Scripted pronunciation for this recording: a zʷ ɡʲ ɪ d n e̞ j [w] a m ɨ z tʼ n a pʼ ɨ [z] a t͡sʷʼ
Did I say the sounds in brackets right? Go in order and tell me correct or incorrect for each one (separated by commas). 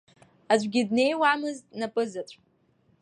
correct, correct